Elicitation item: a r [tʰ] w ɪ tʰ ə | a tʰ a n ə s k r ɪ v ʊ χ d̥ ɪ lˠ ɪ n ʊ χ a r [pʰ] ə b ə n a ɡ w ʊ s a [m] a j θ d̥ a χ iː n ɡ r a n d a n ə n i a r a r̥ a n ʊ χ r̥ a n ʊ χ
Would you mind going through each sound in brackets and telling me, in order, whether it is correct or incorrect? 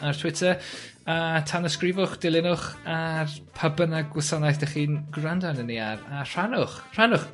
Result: correct, correct, incorrect

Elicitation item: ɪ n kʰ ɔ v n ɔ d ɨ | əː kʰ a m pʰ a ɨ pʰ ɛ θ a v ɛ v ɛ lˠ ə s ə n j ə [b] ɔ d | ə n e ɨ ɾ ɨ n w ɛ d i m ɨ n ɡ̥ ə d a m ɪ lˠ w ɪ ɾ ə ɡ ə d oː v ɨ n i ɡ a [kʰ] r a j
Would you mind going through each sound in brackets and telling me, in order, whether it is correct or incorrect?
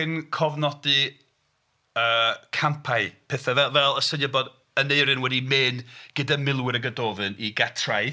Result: correct, incorrect

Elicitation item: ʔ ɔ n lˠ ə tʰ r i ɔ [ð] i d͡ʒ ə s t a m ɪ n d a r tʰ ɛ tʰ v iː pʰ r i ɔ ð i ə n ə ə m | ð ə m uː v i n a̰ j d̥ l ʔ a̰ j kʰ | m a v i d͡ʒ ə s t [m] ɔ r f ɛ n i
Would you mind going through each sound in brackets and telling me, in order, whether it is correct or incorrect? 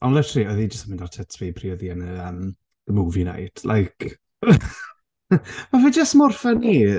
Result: correct, correct

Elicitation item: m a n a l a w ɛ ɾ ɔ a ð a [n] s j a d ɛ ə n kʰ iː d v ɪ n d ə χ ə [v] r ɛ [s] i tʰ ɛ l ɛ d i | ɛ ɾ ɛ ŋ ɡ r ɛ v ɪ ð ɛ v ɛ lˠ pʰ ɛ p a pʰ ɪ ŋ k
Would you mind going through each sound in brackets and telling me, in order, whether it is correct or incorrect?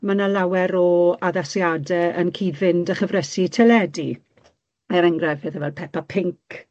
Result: incorrect, correct, correct

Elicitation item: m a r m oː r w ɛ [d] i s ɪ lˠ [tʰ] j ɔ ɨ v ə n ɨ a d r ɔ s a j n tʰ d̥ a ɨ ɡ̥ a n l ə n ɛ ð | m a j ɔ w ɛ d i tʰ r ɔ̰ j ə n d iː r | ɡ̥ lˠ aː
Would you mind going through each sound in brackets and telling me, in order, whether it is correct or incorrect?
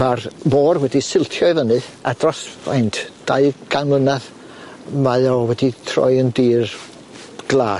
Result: correct, correct

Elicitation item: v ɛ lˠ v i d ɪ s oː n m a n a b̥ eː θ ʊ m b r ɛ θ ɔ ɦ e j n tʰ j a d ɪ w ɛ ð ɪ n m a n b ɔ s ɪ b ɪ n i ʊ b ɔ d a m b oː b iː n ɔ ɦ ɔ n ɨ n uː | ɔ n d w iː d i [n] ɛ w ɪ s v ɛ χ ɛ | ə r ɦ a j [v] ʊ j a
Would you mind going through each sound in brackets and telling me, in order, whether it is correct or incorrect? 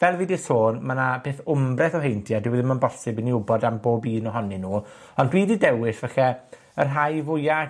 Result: incorrect, correct

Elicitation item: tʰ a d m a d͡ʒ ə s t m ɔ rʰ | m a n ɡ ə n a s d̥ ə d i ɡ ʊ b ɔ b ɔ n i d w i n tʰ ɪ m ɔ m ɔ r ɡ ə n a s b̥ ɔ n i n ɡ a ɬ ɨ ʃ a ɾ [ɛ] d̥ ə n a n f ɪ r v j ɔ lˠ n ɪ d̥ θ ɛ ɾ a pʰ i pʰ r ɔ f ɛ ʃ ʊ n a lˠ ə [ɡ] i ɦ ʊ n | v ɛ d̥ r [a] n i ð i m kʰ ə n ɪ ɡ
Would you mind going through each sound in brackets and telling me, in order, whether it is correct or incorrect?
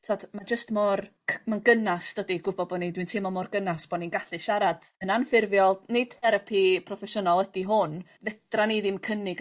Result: incorrect, incorrect, correct

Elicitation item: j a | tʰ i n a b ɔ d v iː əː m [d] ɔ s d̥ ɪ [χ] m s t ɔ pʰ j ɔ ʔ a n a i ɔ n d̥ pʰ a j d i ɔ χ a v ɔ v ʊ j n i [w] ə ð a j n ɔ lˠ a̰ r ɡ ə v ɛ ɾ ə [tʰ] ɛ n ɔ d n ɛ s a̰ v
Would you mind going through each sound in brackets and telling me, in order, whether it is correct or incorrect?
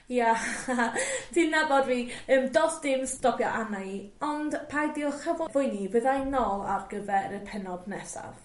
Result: correct, incorrect, incorrect, incorrect

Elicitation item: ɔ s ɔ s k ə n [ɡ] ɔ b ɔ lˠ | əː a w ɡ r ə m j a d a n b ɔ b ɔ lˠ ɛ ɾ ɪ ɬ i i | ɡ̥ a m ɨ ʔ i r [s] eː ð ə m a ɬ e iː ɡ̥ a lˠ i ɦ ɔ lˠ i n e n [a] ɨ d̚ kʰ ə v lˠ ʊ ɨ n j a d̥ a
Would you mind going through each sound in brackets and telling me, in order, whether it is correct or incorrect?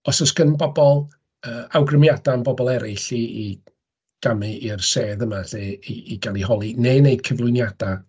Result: incorrect, correct, incorrect

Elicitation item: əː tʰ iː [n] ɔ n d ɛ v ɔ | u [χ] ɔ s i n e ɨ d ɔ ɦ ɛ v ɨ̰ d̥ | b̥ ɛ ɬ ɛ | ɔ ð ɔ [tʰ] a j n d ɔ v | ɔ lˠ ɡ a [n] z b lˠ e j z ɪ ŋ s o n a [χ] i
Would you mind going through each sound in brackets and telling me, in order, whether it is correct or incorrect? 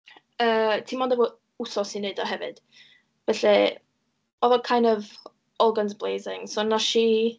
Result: incorrect, incorrect, incorrect, correct, incorrect

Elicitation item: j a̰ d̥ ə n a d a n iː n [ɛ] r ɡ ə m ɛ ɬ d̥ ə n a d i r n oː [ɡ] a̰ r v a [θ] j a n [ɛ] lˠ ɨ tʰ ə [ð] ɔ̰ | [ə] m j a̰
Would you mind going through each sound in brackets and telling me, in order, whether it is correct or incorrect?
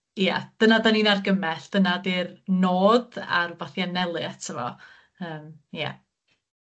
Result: incorrect, incorrect, correct, correct, incorrect, incorrect

